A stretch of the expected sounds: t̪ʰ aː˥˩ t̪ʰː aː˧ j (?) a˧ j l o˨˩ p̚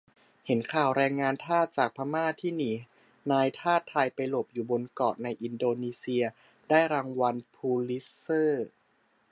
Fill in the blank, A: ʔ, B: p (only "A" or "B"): B